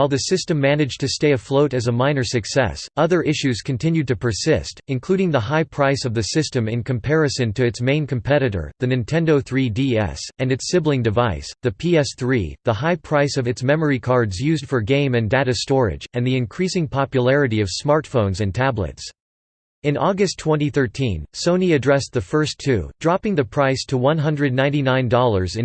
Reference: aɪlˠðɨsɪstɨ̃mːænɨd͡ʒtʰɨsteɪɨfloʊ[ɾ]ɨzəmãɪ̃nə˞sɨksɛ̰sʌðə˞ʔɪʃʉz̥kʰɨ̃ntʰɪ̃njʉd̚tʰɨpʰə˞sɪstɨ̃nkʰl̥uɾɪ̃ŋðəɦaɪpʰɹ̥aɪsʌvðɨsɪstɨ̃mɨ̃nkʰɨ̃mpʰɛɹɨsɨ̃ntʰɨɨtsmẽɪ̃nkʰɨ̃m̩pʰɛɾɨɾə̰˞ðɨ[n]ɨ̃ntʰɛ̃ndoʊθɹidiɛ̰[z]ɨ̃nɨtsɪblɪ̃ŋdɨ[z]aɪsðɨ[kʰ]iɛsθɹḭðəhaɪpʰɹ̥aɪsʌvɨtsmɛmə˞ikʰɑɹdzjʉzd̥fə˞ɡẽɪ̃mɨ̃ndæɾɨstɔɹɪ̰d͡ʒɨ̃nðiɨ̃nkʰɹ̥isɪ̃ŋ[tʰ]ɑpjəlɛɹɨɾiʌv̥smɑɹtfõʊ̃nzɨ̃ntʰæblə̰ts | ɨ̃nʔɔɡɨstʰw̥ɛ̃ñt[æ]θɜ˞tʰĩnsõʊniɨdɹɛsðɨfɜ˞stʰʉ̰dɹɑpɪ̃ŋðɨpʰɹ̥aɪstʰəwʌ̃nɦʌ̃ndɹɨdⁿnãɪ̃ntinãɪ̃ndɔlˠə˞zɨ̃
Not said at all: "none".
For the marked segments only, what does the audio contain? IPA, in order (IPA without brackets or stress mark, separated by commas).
ɾ, n, s, v, pʰ, pʰ, i